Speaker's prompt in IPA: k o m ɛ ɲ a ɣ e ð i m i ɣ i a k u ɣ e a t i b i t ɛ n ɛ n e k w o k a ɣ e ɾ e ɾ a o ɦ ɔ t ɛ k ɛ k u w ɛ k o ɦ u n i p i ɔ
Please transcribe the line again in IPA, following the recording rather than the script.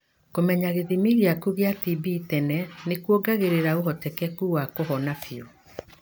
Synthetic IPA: k o m ɛ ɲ a ɣ e ð i m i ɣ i a k u ɣ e a t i b i t ɛ n ɛ n e k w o ɡ a ɣ e ɾ e ɾ a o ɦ ɔ t ɛ k ɛ k u w a k o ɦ ɔ n a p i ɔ